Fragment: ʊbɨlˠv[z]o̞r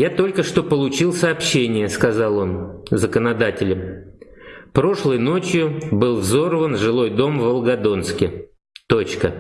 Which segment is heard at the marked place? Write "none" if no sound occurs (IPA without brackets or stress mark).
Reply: z